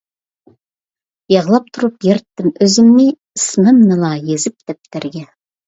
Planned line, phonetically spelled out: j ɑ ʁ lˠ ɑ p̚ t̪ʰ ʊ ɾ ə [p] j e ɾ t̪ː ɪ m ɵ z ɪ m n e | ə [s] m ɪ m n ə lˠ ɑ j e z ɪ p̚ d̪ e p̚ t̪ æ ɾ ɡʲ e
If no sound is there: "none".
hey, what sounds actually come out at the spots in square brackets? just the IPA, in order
p, s

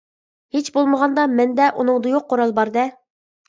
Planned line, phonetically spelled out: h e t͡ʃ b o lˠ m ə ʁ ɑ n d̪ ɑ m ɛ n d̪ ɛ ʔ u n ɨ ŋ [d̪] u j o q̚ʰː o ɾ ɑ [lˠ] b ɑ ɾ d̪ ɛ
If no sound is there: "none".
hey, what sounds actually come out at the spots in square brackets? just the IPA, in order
d̪, lˠ

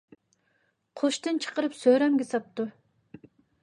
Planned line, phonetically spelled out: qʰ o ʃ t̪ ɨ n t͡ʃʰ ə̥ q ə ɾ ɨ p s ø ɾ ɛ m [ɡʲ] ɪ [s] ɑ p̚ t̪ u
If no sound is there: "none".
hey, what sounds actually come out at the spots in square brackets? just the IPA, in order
ɡʲ, s

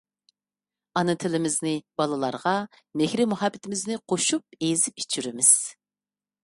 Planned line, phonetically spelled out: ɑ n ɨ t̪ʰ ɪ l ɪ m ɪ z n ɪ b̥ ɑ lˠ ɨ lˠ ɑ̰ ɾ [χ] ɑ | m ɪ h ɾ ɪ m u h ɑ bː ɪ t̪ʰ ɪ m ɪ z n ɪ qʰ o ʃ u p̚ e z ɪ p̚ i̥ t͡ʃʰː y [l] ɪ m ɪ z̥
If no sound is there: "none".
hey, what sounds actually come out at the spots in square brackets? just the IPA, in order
ʁ, ɾ

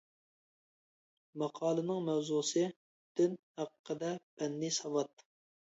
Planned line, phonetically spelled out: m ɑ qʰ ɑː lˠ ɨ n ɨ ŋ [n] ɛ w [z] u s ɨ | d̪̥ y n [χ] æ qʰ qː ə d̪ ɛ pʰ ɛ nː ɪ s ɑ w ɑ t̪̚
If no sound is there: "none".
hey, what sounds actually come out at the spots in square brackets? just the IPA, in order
m, z, h

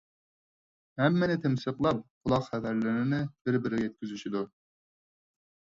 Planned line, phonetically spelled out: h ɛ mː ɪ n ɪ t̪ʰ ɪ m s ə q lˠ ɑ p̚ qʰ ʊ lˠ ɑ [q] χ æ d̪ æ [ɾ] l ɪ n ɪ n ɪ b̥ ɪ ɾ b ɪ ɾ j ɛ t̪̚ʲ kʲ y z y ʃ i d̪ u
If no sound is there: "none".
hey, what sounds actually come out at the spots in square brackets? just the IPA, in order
q, ɾ

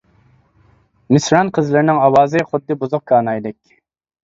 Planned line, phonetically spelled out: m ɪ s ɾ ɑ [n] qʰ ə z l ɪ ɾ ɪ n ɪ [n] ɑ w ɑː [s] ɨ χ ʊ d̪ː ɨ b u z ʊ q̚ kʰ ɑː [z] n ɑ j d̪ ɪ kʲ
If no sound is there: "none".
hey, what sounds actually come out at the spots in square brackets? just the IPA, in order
n, ŋ, z, none

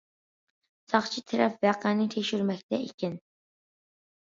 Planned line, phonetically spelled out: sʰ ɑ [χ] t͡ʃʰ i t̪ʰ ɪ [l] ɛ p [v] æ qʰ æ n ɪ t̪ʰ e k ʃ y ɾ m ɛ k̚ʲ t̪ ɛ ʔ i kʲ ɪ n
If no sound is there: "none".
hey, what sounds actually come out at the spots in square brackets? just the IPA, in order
χ, ɾ, v

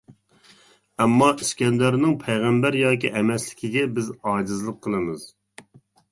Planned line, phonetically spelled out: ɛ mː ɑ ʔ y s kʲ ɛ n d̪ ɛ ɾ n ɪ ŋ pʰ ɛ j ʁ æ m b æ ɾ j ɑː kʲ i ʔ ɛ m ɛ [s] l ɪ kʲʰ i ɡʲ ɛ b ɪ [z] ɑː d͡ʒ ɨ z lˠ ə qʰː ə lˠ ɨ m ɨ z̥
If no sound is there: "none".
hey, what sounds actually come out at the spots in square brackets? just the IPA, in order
s, z

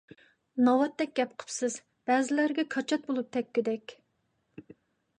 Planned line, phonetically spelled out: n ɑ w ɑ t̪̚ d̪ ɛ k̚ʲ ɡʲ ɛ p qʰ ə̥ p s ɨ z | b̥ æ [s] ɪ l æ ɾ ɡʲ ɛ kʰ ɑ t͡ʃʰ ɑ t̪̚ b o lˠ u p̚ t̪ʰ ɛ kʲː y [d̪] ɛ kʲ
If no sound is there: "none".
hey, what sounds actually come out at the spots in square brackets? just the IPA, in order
z, d̪

